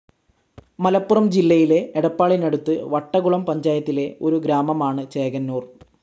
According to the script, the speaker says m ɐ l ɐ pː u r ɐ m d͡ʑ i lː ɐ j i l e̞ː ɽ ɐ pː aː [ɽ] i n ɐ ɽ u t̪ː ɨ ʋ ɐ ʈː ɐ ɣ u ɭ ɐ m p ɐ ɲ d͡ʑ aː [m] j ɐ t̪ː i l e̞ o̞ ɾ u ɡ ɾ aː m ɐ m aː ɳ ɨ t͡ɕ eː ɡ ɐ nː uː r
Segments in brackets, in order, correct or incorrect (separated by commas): incorrect, incorrect